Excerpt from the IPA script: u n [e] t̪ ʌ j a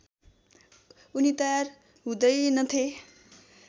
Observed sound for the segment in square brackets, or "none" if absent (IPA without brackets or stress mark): i